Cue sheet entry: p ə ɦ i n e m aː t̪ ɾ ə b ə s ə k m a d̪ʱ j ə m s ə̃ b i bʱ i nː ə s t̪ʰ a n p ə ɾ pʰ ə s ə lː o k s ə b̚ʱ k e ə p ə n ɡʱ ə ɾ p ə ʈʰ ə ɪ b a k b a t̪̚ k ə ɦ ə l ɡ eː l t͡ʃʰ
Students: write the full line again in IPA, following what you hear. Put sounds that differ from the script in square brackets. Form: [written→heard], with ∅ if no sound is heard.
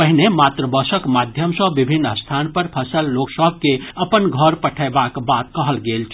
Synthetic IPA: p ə ɦ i n e m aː t̪ ɾ ə b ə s ə k m a d̪ʱ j ə m s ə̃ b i bʱ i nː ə s t̪ʰ a n p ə ɾ pʰ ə s ə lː o k s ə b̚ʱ k e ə p ə n ɡʱ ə ɾ p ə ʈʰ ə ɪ b a k b a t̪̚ k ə ɦ ə l ɡ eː l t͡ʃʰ

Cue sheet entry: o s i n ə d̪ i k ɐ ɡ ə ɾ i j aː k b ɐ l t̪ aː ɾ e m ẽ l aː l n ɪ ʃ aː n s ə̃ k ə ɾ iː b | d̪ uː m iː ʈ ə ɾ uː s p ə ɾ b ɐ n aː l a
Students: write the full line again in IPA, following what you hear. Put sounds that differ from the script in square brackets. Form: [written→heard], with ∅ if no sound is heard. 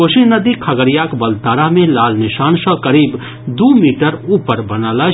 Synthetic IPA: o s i n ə d̪ i [k→kʰ] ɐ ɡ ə ɾ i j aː k b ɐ l t̪ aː ɾ [e→a] m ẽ l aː l n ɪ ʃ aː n s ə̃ k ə ɾ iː b | d̪ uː m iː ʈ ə ɾ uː [s→∅] p ə ɾ b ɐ n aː l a

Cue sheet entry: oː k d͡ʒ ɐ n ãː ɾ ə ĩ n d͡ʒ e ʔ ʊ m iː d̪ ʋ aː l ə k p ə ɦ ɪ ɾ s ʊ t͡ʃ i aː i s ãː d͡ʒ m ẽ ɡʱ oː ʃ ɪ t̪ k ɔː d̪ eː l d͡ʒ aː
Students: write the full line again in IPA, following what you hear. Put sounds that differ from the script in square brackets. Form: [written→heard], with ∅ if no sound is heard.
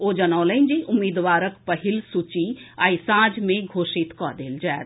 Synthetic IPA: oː [k→∅] d͡ʒ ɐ n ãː [ɾ→l] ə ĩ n d͡ʒ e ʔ ʊ m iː d̪ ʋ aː [l→ɾ] ə k p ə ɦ ɪ [ɾ→l] s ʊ t͡ʃ i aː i s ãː d͡ʒ m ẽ ɡʱ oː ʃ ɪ t̪ k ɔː d̪ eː l d͡ʒ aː

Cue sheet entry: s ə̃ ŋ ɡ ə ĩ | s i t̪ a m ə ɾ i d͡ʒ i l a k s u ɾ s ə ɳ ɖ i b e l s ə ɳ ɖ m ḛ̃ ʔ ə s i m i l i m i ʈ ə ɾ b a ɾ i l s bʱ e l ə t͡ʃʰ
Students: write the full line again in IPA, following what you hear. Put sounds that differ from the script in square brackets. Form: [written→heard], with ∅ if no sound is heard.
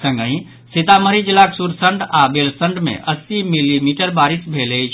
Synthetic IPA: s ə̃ ŋ ɡ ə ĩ | s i t̪ a m ə ɾ i d͡ʒ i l a k s u ɾ s ə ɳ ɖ [i→a] b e l s ə ɳ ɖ m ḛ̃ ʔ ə s i m i l i m i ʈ ə ɾ b a ɾ i [l→∅] s bʱ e l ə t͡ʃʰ

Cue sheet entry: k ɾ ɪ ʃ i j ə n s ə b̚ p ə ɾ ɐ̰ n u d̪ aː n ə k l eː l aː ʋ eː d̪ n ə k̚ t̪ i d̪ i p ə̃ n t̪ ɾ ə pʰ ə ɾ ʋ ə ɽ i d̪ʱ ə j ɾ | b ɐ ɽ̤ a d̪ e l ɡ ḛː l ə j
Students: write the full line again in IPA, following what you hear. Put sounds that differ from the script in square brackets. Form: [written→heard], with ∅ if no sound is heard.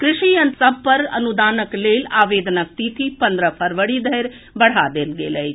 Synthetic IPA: k ɾ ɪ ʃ i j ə n s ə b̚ p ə ɾ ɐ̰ n u d̪ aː n ə k l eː l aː ʋ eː d̪ n ə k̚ t̪ i [d̪→t̪] i p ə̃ n [t̪→d̪] ɾ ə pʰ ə ɾ ʋ ə ɽ i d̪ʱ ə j ɾ | b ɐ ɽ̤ a d̪ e l ɡ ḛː l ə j

